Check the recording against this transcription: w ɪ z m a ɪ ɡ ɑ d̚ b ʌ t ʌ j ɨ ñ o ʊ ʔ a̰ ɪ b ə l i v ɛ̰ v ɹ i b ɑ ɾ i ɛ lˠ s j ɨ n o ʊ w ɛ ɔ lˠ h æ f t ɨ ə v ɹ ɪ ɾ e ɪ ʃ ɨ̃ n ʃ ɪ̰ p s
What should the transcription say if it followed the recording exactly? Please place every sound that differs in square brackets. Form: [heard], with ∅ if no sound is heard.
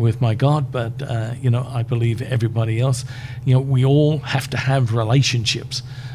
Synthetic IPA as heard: w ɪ [ð] m a ɪ ɡ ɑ d̚ b ʌ t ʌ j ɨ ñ o ʊ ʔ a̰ ɪ b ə l i v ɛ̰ v ɹ i b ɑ ɾ i ɛ lˠ s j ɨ n o ʊ w [i] ɔ lˠ h æ f t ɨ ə v ɹ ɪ [l] e ɪ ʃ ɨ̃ n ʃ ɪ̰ p s